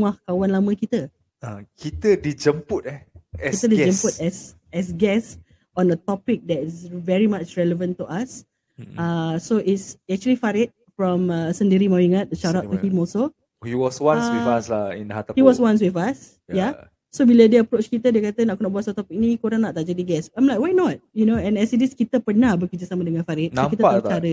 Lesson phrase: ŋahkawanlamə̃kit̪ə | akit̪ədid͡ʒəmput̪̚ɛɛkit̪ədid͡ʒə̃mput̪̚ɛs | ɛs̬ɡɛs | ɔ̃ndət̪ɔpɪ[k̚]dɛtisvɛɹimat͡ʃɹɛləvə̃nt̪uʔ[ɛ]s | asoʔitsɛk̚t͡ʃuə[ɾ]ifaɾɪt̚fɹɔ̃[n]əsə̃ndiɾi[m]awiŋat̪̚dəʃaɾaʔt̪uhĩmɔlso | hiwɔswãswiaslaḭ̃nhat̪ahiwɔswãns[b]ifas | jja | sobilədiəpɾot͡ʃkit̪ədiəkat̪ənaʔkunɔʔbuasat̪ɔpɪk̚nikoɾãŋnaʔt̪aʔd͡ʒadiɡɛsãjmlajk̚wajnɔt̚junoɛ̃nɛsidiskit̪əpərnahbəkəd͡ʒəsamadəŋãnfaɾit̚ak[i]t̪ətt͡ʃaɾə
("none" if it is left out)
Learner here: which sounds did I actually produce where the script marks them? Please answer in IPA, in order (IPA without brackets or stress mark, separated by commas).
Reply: k̚, a, l, m, m, w, i